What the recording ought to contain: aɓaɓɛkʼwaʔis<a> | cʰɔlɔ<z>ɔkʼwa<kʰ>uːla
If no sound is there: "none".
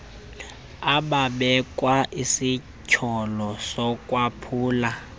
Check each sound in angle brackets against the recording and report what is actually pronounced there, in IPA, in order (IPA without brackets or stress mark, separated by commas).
i, s, pʰ